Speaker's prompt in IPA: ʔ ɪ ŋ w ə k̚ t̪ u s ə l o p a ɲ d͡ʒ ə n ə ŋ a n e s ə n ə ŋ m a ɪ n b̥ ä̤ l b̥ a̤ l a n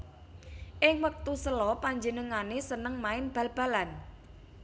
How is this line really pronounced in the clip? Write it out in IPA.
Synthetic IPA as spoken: ʔ ɪ ŋ w ə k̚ t̪ u s ə l ɔ p a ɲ d͡ʒ ə n ə ŋ a n e s ə n ə ŋ m a ɪ n b̥ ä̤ l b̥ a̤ l a n